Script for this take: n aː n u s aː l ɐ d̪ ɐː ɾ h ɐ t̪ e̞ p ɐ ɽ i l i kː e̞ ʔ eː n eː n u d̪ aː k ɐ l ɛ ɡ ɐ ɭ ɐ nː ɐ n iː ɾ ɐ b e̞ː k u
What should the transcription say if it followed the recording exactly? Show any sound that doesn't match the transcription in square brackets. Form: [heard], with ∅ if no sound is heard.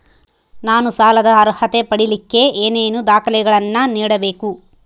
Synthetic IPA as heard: n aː n u s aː l ɐ d̪ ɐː ɾ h ɐ t̪ e̞ p ɐ ɽ i l i kː e̞ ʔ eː n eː n u d̪ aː k ɐ l ɛ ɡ ɐ ɭ ɐ nː ɐ n iː [ɽ] ɐ b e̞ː k u